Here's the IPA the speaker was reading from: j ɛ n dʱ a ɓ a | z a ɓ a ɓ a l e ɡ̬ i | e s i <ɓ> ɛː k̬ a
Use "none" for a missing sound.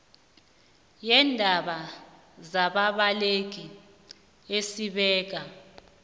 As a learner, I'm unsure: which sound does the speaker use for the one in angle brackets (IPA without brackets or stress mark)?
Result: ɓ